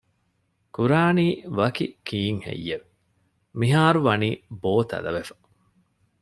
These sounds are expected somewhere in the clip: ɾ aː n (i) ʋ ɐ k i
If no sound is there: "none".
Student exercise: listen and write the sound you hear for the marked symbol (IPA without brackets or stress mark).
iː